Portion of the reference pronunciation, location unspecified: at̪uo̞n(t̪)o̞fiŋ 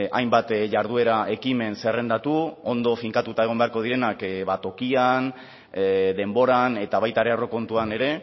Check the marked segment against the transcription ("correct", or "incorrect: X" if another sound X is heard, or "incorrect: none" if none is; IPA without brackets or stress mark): incorrect: d̪